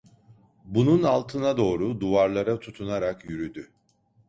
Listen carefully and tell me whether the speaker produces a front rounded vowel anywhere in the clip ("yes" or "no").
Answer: yes